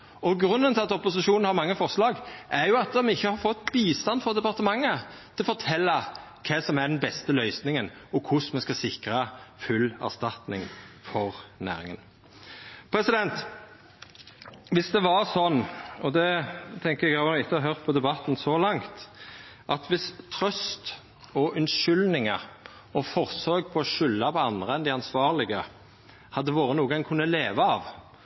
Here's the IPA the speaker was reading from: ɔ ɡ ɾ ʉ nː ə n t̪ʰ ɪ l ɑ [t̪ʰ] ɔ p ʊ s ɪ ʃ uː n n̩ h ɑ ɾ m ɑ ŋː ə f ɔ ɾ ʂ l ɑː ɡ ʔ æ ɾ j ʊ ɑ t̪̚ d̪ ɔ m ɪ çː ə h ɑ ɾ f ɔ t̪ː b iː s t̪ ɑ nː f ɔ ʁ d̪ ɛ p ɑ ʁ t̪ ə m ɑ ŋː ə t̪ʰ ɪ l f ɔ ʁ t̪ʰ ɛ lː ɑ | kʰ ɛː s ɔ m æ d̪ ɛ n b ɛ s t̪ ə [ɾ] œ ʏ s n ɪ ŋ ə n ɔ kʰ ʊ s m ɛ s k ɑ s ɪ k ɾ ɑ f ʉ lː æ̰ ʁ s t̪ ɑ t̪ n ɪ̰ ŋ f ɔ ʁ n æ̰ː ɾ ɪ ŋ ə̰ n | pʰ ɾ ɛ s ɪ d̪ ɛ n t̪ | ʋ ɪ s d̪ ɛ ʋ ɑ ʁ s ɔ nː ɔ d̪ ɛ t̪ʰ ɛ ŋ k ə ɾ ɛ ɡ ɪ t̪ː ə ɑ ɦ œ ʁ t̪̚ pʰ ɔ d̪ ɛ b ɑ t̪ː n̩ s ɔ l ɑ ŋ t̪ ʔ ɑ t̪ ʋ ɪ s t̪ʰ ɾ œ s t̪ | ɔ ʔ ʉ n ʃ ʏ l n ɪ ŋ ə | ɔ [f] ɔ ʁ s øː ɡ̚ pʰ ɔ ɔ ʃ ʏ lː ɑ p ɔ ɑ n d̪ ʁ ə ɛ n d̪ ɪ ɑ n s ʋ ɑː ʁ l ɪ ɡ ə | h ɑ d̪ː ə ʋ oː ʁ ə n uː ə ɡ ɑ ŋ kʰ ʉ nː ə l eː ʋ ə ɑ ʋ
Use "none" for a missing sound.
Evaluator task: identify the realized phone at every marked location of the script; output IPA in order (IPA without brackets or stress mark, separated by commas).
t̪, l, f